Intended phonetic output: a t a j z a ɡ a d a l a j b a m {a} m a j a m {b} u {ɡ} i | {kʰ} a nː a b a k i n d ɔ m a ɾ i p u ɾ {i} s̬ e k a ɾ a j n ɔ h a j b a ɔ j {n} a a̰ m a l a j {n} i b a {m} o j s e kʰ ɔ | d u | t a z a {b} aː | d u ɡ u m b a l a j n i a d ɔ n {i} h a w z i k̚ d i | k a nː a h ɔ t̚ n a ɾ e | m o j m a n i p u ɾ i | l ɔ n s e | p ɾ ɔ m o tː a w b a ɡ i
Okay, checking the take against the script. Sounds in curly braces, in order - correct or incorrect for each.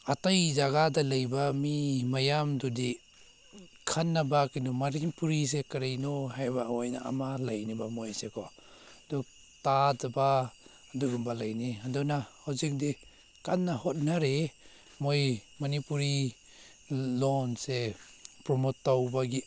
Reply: incorrect: i, incorrect: d, incorrect: d, correct, correct, correct, correct, correct, correct, incorrect: a

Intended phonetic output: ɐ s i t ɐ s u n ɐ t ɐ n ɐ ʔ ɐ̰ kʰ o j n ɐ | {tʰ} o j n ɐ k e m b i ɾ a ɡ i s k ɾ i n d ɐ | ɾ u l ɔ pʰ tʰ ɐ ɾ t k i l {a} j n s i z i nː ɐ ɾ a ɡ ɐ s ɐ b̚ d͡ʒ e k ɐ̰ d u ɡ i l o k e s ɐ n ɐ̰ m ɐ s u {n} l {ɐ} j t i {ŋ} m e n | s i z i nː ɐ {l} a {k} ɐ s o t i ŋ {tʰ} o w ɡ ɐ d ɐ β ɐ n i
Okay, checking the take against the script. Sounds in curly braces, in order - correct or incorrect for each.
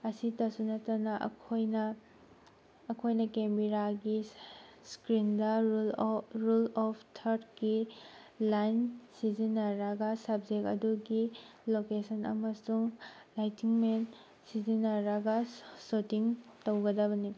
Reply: incorrect: kʰ, correct, incorrect: ŋ, incorrect: a, correct, incorrect: ɾ, incorrect: ɡ, incorrect: t

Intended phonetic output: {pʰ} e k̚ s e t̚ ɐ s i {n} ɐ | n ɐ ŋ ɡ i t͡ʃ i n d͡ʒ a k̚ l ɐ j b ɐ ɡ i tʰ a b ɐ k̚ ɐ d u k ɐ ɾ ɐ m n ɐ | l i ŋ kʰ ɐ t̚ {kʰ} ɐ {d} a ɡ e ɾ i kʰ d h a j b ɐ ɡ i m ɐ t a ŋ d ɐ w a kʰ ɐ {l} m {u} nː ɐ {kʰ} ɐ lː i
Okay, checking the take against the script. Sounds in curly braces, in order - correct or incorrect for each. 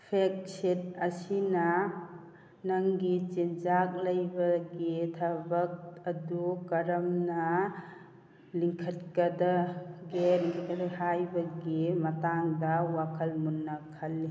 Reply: correct, correct, incorrect: k, correct, correct, correct, correct

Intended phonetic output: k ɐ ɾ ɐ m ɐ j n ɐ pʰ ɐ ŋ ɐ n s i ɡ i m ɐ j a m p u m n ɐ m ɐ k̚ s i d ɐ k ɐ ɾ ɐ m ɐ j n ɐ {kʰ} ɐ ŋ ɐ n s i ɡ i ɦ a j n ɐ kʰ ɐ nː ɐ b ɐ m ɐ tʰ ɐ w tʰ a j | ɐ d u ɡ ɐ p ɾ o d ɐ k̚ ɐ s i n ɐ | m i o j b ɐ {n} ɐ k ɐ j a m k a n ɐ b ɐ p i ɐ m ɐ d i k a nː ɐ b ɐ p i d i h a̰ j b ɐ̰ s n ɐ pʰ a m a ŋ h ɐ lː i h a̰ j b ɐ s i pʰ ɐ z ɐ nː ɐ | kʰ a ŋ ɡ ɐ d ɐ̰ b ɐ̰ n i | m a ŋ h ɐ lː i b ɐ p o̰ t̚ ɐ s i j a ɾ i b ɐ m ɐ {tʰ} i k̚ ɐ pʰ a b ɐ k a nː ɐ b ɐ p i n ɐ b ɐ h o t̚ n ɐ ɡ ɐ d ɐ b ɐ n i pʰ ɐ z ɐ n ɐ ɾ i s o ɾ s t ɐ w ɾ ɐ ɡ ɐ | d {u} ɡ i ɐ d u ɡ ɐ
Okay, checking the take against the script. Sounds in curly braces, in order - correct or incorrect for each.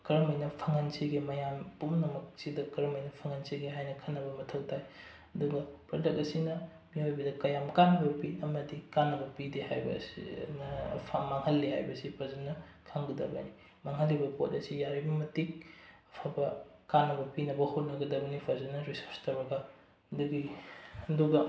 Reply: incorrect: pʰ, incorrect: d, incorrect: t, correct

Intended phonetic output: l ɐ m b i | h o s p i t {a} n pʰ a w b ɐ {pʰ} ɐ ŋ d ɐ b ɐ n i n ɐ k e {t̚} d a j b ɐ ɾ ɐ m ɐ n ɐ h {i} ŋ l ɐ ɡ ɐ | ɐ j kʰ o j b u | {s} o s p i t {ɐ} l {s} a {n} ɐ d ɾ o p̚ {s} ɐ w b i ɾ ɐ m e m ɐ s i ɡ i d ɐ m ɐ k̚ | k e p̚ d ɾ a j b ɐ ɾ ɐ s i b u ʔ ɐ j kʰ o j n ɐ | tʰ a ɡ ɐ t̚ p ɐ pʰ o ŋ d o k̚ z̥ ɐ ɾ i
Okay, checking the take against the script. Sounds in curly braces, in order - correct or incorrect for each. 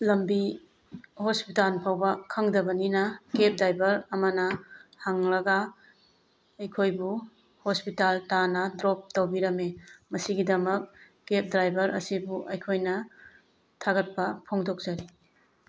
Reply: correct, incorrect: kʰ, incorrect: p̚, incorrect: a, incorrect: h, incorrect: a, incorrect: t, correct, incorrect: t

